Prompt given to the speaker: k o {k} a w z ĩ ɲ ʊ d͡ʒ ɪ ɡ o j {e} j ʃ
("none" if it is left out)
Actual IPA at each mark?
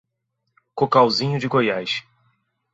k, a

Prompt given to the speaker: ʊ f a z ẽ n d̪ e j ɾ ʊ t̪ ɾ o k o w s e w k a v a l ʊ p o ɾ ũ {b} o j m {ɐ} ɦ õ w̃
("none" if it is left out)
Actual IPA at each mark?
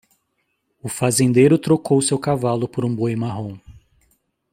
b, a

